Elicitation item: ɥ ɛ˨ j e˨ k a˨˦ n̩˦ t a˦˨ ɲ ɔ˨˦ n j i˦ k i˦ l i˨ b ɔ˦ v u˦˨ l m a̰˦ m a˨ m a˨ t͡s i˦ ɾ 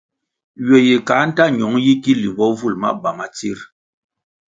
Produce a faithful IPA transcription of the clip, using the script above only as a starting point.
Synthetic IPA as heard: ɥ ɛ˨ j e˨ k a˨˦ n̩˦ t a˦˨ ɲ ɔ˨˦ ŋ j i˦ k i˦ l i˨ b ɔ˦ v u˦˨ l m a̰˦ b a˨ m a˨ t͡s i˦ ɾ